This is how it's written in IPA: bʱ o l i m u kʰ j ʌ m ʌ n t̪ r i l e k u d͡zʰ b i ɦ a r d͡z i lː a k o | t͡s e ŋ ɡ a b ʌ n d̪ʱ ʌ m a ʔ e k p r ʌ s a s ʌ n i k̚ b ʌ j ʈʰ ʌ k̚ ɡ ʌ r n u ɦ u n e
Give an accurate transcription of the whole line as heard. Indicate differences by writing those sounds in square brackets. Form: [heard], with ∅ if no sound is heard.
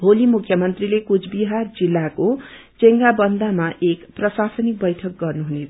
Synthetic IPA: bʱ o l i m u kʰ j ʌ m ʌ n t̪ r i l e k u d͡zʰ b i ɦ a r d͡z i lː a k o | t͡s e ŋ ɡ a b ʌ n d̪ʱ [a] m a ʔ e k p r ʌ s a s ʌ n i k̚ b ʌ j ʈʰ ʌ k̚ ɡ ʌ r n u ɦ u n e